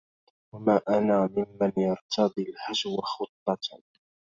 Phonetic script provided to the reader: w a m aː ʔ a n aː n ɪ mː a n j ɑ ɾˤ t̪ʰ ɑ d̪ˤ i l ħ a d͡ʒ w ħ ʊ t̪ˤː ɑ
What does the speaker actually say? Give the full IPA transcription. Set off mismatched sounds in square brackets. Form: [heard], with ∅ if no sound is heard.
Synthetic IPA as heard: w a m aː ʔ a n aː [m] ɪ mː a n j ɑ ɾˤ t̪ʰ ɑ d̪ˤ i l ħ a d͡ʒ w [x] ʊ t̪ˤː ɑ